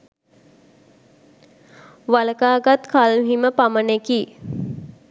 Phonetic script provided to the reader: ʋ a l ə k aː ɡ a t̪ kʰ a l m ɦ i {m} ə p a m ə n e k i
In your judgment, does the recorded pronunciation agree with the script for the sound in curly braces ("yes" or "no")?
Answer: yes